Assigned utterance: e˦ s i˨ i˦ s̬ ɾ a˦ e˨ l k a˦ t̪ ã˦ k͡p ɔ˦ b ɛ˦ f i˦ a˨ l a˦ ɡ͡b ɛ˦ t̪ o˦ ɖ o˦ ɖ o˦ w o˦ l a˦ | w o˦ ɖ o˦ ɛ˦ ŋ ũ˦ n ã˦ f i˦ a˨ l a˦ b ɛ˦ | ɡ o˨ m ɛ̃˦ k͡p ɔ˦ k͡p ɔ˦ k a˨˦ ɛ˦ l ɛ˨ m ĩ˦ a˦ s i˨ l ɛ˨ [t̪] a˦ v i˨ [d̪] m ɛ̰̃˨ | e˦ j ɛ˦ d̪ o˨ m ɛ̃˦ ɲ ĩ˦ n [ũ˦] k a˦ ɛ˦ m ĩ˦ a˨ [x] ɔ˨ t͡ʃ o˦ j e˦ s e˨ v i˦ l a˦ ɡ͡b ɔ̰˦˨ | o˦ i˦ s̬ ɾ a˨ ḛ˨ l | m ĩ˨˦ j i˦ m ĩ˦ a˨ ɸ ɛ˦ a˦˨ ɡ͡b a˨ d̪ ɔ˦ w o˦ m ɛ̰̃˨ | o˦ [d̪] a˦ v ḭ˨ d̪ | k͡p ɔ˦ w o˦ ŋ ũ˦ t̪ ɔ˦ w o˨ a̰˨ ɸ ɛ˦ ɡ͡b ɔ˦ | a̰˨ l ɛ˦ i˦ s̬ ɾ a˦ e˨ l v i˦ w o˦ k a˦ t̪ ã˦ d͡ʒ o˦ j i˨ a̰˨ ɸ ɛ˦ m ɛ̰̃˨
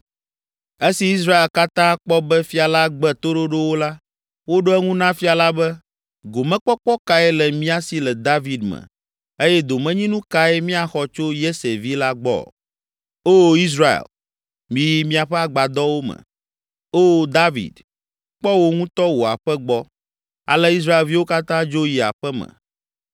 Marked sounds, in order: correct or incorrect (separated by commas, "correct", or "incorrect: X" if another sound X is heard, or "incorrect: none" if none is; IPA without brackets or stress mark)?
incorrect: d̪, correct, correct, correct, correct